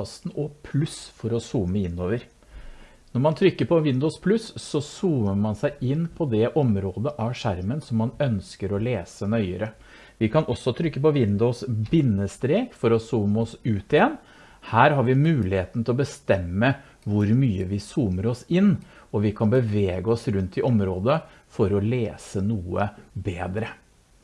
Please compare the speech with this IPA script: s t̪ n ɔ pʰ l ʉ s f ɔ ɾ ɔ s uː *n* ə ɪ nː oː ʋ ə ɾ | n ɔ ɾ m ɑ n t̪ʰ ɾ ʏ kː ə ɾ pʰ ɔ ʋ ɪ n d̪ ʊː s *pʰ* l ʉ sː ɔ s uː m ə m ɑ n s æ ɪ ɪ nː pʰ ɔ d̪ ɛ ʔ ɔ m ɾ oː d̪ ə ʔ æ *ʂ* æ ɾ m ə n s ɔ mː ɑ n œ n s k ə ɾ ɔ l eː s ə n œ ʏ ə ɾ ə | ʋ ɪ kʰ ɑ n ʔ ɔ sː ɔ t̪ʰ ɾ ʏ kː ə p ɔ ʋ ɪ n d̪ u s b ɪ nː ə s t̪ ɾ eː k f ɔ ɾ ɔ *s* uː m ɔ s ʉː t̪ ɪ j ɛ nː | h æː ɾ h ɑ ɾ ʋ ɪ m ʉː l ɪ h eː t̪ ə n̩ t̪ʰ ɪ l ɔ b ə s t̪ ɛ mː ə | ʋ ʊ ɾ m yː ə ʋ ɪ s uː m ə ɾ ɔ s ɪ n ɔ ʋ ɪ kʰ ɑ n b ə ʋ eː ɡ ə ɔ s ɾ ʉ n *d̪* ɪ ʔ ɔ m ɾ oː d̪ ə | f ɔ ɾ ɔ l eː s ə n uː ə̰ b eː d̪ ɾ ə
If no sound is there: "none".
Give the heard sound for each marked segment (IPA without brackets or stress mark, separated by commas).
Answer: m, pʰ, ʂ, s, t̪